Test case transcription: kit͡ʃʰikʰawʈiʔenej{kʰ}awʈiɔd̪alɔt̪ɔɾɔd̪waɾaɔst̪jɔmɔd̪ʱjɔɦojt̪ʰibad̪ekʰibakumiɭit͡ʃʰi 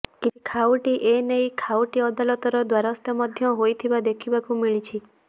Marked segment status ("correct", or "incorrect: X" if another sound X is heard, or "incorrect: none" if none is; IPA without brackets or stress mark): correct